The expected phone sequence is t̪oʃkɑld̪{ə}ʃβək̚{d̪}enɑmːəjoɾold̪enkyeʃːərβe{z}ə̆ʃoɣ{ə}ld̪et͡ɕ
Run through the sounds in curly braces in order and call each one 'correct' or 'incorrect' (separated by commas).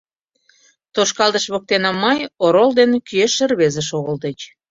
correct, incorrect, correct, correct